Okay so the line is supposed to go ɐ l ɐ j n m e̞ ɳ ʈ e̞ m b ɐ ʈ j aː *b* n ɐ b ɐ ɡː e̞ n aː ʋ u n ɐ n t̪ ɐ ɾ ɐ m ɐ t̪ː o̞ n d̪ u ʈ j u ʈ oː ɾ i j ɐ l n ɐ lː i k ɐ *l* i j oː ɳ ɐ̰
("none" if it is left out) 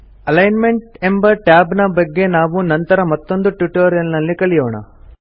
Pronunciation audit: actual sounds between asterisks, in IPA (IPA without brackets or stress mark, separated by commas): b, ɭ